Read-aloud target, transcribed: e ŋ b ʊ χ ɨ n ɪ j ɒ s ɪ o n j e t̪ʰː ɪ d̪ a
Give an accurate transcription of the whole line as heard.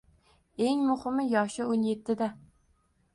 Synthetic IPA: e ŋ m ʊ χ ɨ m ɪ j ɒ ʃ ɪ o n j e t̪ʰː ɪ d̪ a